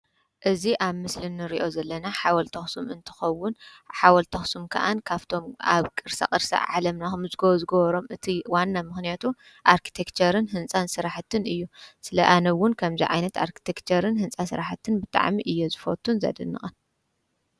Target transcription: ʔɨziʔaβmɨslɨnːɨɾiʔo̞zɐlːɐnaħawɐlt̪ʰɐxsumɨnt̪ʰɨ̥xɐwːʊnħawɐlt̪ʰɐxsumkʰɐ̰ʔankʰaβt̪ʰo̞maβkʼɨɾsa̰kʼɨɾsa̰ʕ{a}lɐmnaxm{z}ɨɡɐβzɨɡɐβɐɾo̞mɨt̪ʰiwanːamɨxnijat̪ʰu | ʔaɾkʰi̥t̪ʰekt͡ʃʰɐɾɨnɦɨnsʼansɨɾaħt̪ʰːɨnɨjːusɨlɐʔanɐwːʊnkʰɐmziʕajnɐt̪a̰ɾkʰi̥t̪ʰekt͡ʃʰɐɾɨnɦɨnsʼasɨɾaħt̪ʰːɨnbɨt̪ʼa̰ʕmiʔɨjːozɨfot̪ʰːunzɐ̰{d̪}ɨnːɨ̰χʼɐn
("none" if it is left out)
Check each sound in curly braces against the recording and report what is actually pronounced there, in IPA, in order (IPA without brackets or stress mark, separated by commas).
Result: a, z, d̪